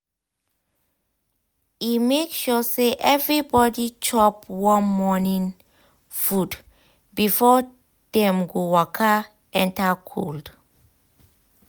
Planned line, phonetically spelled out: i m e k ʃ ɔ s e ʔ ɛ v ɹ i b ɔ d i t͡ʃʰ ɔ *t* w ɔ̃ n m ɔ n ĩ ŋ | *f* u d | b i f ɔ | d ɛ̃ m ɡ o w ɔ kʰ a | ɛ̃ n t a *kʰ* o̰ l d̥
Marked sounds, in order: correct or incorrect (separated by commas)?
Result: incorrect, correct, correct